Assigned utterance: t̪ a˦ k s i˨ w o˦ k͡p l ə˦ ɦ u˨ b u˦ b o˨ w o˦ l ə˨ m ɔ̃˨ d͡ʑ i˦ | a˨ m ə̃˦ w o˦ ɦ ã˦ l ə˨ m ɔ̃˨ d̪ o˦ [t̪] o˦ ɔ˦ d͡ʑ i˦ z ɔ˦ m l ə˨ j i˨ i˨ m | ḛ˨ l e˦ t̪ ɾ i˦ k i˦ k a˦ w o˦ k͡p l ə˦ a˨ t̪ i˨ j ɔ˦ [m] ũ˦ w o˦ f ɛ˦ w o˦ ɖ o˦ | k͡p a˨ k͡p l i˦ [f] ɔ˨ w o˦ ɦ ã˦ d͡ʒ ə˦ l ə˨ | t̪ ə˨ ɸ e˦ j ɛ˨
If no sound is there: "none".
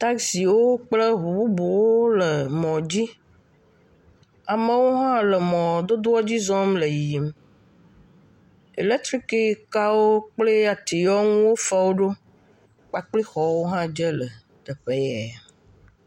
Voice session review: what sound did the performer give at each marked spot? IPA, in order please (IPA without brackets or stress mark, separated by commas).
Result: d̪, ŋ, x